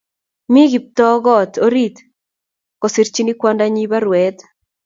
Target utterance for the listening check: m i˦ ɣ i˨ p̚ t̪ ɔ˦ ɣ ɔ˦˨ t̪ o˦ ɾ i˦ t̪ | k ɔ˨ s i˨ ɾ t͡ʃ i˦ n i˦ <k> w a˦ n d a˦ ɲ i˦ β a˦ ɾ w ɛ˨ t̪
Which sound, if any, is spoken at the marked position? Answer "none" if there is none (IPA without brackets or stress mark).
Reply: k